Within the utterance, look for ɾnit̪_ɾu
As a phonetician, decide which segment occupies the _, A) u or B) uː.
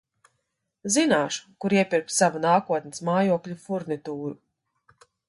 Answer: B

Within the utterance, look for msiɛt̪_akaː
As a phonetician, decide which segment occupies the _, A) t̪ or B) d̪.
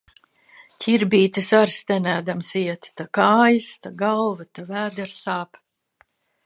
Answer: A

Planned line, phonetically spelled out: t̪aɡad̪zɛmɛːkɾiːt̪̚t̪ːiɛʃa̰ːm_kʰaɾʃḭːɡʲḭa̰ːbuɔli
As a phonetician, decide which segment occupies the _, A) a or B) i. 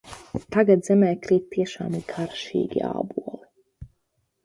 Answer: B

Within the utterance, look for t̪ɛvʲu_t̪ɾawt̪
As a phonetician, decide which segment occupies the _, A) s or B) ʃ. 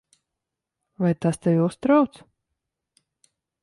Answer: A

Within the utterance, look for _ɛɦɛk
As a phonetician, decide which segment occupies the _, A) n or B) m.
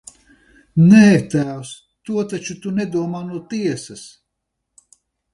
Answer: A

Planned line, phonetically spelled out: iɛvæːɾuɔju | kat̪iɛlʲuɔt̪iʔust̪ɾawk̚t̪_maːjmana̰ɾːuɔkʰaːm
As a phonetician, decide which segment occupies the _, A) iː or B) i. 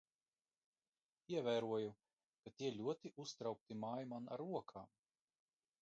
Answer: B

